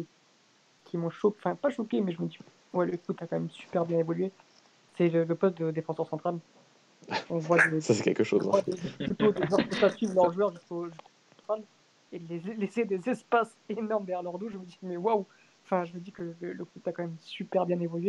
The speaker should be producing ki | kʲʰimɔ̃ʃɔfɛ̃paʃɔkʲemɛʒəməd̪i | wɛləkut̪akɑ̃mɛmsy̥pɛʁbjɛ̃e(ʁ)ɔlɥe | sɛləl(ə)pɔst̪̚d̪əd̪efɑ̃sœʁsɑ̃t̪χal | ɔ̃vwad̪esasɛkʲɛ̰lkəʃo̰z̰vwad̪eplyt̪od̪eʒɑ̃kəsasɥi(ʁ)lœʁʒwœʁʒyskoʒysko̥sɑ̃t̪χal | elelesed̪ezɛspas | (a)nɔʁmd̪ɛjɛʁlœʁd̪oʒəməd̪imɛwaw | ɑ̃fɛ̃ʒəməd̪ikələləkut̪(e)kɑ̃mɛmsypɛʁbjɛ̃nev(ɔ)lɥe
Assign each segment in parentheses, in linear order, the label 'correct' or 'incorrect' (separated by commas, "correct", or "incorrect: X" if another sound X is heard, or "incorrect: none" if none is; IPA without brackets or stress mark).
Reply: incorrect: v, correct, incorrect: v, incorrect: e, incorrect: a, correct